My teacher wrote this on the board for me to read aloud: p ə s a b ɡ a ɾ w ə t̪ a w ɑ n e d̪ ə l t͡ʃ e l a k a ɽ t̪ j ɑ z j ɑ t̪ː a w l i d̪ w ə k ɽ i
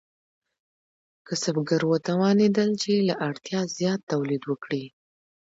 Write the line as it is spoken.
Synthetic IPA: k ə s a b ɡ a ɾ w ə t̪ a w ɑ n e d̪ ə l t͡ʃ e l a ʔ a ɽ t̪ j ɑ z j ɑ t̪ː a w l i d̪ w ə k ɽ i